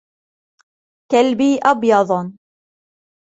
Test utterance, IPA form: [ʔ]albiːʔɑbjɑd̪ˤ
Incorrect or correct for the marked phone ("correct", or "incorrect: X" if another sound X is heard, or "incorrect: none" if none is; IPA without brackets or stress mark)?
incorrect: k